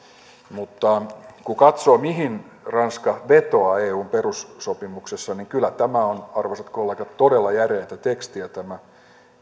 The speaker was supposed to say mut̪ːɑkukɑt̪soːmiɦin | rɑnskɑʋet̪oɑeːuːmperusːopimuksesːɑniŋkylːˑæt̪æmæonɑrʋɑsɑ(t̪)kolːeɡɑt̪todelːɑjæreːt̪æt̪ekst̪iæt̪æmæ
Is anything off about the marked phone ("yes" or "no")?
no